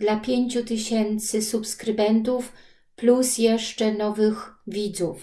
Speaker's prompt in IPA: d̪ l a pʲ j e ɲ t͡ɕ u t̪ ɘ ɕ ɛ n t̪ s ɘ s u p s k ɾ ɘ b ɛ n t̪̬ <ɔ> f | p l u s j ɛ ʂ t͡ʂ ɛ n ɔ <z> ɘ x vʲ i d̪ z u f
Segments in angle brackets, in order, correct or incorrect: incorrect, incorrect

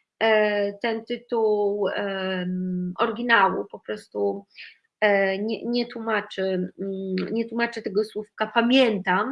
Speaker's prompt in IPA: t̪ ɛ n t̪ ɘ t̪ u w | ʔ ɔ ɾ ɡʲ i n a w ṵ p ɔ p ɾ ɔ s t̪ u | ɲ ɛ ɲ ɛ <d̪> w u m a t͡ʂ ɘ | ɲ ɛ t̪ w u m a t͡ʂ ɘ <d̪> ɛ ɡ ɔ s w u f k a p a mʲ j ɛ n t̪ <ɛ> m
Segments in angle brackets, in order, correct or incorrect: incorrect, incorrect, incorrect

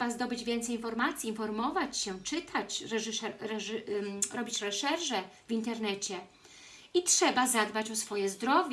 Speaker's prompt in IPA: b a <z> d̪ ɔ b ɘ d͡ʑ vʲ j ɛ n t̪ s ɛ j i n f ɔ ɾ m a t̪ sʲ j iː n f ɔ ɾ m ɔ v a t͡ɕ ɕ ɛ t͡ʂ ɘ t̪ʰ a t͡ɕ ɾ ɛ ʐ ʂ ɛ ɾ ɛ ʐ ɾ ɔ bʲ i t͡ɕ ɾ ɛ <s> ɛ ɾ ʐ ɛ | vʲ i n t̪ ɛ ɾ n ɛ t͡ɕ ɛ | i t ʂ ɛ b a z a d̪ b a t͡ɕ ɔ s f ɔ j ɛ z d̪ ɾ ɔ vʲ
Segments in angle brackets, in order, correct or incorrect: correct, incorrect

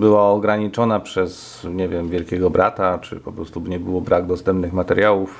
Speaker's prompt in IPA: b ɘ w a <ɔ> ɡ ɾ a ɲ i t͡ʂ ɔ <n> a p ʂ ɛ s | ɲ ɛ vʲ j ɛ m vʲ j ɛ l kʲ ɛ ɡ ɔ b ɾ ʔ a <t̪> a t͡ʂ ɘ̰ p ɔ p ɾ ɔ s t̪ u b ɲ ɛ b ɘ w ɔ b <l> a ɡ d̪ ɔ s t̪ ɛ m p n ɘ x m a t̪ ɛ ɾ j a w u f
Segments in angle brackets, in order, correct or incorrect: correct, correct, correct, incorrect

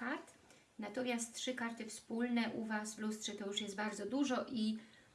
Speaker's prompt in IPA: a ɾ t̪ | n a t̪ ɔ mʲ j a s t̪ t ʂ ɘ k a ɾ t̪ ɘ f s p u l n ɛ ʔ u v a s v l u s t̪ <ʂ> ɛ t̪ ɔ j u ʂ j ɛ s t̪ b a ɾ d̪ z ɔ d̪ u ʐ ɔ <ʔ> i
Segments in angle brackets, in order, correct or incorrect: correct, correct

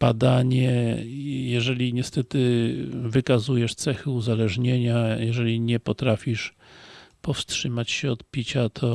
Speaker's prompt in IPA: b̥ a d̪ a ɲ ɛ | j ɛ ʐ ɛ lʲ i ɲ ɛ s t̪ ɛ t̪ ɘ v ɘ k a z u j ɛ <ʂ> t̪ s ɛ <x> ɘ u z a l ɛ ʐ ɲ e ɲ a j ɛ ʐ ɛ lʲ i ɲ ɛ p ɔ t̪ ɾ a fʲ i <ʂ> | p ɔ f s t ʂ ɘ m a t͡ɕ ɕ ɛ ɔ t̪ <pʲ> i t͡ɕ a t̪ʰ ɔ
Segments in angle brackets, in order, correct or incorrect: correct, correct, correct, correct

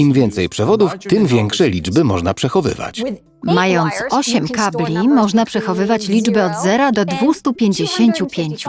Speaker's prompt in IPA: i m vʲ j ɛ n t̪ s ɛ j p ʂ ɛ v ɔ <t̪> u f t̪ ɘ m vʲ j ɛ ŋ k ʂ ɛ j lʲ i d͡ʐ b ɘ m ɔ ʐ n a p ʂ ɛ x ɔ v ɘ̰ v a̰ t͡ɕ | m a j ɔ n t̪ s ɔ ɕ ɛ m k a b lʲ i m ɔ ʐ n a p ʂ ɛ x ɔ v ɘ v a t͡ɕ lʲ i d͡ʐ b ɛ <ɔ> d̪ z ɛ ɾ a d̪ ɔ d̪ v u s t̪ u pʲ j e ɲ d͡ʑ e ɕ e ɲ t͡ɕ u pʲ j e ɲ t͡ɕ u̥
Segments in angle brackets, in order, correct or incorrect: incorrect, correct

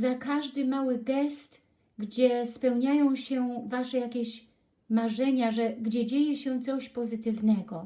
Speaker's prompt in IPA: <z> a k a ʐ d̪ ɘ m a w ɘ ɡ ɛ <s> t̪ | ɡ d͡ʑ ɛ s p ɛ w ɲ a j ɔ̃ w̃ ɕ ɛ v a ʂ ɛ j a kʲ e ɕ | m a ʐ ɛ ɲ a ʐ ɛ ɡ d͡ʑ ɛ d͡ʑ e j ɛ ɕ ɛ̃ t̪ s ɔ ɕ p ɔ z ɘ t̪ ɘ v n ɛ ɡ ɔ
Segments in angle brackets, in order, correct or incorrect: correct, correct

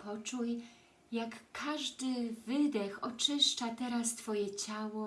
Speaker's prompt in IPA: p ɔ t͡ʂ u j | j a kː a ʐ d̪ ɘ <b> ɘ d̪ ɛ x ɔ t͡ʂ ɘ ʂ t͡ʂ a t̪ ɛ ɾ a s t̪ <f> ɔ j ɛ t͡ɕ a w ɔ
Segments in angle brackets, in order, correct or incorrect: incorrect, correct

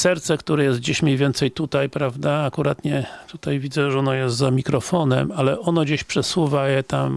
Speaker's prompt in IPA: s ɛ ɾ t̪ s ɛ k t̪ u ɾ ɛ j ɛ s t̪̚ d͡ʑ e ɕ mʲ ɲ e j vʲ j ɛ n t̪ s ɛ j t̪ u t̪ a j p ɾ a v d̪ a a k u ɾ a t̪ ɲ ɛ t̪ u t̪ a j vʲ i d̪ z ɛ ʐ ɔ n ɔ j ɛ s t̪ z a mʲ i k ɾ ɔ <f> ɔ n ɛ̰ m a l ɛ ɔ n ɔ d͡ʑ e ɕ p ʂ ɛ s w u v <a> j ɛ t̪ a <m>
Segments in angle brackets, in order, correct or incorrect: correct, correct, correct

